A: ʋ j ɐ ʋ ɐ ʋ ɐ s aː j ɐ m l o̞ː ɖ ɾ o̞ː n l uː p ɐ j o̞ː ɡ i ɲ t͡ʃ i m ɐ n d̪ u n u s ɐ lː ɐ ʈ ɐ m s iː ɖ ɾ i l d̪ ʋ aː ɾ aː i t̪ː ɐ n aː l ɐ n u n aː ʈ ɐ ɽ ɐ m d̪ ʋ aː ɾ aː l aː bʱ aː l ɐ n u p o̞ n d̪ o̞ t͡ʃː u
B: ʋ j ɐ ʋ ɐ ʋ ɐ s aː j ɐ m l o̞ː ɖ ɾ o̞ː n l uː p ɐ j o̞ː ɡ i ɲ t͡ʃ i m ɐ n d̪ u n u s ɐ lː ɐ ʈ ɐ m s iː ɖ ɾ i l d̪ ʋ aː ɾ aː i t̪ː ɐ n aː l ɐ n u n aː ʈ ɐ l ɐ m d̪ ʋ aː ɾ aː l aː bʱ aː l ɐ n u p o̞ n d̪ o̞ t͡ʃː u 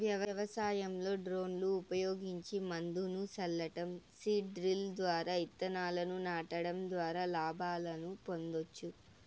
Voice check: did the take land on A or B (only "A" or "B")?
A